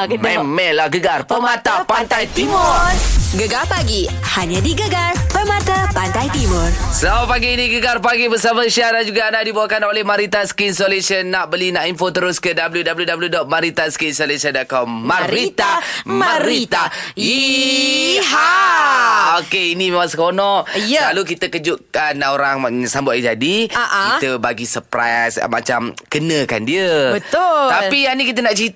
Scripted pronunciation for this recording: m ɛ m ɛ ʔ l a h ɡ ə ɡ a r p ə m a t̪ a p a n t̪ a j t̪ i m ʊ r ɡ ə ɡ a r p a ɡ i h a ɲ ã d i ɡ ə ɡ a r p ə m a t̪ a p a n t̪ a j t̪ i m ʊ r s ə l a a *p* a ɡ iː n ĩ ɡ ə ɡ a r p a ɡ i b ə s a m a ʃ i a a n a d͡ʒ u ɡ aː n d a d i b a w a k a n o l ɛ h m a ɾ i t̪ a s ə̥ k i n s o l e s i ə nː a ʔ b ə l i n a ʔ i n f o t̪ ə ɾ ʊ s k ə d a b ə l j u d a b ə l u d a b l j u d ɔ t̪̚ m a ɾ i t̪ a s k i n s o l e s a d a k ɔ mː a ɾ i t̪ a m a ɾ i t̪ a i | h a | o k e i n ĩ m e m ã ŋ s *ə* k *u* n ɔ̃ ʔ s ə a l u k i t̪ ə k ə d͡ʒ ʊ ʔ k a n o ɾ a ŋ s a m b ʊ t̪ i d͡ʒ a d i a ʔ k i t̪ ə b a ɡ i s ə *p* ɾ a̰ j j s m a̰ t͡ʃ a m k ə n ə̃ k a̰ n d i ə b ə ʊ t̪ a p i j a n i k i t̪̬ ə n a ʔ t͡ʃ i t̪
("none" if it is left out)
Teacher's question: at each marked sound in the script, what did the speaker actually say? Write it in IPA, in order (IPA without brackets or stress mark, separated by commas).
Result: p, ə, o, p